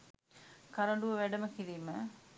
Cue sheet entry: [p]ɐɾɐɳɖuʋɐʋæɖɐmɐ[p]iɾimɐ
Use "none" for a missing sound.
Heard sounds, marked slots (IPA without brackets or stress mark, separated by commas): k, k